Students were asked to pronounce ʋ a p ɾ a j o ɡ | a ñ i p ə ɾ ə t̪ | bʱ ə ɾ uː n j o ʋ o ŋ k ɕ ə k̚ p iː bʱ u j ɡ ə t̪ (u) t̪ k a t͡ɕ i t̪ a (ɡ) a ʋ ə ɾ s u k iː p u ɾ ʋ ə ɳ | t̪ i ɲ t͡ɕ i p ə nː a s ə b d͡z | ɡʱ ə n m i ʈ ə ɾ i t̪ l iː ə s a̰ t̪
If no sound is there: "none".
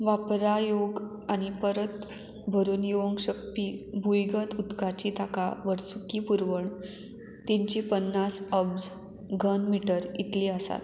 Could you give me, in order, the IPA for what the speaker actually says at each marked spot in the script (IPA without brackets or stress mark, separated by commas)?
u, k